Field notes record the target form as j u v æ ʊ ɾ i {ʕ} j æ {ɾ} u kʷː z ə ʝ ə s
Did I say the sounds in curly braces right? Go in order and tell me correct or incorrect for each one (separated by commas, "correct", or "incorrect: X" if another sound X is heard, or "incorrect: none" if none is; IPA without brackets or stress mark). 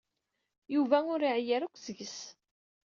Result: correct, correct